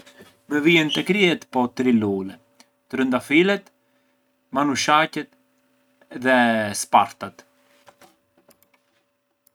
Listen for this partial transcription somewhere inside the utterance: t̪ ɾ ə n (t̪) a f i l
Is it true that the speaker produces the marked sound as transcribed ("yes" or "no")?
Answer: no